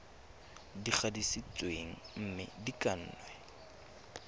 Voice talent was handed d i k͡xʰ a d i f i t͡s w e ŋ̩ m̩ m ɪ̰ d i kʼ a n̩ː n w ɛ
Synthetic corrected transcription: d i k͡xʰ a d i s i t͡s w e ŋ̩ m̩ m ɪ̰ d i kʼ a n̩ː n w ɛ